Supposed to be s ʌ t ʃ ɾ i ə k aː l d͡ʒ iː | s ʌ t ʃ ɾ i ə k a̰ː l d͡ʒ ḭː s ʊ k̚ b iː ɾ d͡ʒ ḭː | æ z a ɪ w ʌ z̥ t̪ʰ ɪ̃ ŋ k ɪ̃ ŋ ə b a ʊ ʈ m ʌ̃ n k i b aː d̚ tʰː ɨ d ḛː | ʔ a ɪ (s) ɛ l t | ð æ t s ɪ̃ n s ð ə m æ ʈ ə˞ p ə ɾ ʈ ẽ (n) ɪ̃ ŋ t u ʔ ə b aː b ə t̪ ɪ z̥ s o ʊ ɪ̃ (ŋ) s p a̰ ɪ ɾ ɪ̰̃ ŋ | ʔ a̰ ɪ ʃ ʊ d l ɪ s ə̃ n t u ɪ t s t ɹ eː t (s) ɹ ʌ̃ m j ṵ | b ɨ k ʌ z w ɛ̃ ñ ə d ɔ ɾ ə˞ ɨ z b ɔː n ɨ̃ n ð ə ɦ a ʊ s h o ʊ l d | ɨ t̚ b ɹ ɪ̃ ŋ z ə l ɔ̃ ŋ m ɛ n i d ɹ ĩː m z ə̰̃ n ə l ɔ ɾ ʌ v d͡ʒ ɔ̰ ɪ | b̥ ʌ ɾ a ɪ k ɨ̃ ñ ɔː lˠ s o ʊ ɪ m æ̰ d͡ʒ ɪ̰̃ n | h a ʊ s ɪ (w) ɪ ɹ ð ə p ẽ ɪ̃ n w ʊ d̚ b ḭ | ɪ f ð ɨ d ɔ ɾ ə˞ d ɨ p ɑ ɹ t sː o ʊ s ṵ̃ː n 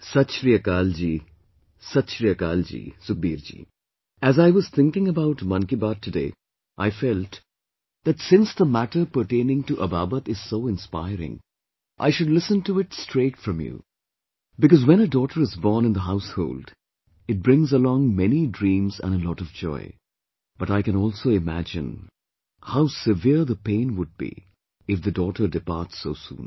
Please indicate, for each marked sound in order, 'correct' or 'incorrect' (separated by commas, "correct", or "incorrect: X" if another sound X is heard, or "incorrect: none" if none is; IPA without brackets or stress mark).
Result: incorrect: f, correct, incorrect: n, incorrect: f, incorrect: v